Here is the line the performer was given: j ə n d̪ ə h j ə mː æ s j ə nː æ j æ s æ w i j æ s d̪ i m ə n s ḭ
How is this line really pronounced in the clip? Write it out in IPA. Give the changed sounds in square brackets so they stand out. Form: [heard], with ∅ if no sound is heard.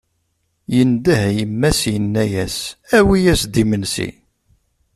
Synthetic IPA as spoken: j ə n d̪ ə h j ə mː æ s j ə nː æ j æ s æ w i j æ s d̪ i m ə n s ḭ